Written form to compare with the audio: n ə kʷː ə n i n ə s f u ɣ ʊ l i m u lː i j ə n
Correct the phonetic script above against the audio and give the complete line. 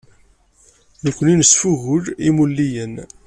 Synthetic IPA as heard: n ə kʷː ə n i n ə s f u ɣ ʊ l i m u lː i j ə n